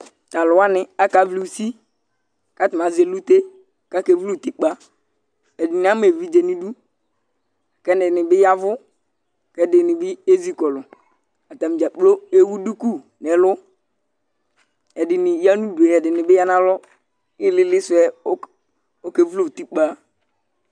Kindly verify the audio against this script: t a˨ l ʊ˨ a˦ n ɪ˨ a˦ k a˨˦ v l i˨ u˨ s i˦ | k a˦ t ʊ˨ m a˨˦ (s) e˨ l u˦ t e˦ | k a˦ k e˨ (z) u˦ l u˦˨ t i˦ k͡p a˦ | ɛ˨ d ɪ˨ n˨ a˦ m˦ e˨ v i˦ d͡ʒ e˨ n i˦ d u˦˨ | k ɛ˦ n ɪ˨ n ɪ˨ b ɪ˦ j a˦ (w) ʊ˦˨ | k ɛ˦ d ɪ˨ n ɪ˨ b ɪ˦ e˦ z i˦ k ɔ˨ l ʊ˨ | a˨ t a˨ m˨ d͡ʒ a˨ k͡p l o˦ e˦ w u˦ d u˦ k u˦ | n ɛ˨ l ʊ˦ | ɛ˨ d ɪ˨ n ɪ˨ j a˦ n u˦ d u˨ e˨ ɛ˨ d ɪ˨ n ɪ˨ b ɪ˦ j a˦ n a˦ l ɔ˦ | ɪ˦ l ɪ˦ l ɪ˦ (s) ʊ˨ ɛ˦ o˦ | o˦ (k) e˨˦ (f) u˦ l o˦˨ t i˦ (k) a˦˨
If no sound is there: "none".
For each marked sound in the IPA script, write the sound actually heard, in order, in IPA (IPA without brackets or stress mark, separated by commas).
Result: z, v, v, s, k, v, k͡p